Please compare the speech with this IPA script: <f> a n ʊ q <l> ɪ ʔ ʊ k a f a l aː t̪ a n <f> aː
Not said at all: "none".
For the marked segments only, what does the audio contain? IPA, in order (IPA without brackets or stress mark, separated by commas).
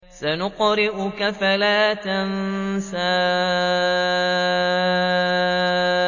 s, ɾ, s